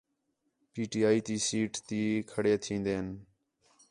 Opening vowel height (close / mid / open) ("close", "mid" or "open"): close